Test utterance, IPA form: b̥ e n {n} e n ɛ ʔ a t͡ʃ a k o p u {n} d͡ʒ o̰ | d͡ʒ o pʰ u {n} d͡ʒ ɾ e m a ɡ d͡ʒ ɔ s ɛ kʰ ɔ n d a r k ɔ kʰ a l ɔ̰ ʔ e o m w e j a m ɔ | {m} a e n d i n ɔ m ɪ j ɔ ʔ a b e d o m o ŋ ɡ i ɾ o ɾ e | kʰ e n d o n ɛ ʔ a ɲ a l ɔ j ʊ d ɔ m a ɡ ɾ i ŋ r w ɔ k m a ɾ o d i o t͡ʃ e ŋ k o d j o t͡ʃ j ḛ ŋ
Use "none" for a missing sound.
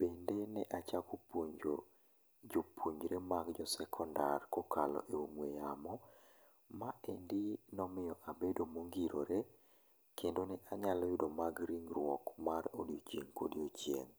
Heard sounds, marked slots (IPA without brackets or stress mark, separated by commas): d, ɲ, ɲ, m